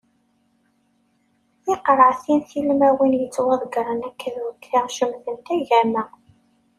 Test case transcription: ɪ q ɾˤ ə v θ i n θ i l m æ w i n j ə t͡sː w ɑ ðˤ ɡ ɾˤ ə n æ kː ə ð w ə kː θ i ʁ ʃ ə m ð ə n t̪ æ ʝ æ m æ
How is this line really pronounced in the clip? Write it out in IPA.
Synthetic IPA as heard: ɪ q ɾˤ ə ʕ θ i n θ i l m æ w i n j ə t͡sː w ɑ ðˤ ɡ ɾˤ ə n æ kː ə ð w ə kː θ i ʁ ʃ ə m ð ə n t̪ æ ʝ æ m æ